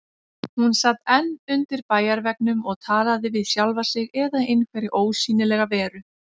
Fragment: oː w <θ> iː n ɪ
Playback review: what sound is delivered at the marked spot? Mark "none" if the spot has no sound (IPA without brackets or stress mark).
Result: s